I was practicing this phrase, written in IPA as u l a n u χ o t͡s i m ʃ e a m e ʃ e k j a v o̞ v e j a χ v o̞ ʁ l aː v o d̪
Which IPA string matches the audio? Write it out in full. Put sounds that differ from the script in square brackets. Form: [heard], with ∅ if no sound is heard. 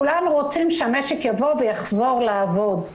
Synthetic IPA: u l a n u [ʁ] o t͡s i m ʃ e a m e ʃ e k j a v o̞ v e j a χ [z] o̞ ʁ l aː v o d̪